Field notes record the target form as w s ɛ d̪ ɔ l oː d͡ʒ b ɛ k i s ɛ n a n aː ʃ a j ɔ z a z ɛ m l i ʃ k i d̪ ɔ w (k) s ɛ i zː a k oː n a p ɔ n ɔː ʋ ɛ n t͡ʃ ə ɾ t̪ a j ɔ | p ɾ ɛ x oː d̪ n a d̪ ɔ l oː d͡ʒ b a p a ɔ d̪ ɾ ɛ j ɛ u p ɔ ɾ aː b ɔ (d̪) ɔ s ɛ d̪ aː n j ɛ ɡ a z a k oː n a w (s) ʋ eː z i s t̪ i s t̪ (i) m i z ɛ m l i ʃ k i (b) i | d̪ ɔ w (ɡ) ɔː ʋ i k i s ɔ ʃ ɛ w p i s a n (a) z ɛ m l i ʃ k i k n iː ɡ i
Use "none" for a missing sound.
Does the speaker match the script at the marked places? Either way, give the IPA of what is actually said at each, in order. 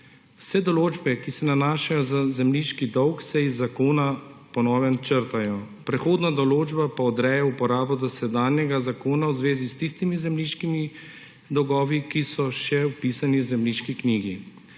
k, d̪, z, i, m, ɡ, i

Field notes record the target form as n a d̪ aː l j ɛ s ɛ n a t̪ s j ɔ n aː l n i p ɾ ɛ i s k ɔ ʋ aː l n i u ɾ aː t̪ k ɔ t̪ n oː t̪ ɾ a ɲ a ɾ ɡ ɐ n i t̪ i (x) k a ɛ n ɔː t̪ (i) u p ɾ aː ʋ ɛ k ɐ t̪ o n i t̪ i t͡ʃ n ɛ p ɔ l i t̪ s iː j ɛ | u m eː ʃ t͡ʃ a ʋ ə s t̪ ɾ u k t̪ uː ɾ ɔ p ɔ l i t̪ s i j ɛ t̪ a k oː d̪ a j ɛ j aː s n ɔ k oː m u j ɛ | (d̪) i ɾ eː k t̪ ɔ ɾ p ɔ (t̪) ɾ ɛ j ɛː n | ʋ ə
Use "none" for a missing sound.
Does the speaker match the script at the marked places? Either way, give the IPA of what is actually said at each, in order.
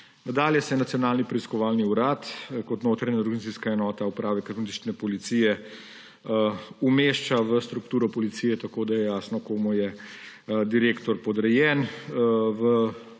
s, a, d̪, d̪

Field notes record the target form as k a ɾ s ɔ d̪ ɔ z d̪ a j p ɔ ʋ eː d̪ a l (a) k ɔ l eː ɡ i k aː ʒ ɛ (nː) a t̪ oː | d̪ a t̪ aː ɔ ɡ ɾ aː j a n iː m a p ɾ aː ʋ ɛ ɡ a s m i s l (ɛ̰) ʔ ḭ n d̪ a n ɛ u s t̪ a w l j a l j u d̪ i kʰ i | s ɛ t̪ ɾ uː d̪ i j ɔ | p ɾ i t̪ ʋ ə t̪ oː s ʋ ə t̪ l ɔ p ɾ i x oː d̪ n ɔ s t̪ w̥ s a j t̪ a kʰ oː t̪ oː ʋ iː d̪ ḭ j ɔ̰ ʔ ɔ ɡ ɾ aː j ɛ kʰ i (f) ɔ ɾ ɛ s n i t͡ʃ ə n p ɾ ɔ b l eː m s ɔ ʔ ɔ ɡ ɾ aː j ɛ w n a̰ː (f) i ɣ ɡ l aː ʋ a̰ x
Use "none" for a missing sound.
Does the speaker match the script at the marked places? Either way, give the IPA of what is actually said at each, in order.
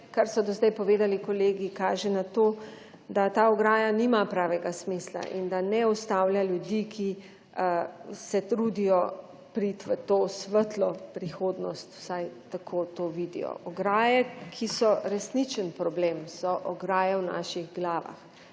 i, n, a̰, s, ʃ

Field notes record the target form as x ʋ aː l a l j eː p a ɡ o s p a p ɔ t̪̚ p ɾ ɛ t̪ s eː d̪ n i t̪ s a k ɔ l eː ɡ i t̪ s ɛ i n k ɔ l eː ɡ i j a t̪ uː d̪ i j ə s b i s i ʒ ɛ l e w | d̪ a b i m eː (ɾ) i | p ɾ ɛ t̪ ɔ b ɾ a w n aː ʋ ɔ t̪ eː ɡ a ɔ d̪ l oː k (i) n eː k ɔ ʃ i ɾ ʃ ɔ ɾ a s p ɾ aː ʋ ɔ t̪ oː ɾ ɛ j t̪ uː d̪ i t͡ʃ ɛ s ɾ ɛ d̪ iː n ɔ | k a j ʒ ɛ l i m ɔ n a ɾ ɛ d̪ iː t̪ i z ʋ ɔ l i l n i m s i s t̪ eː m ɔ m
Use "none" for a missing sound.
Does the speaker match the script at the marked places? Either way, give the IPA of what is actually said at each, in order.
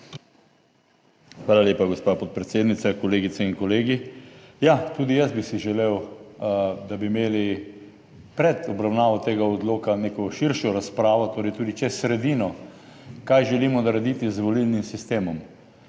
l, a

